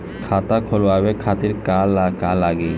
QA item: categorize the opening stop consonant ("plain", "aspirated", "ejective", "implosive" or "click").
aspirated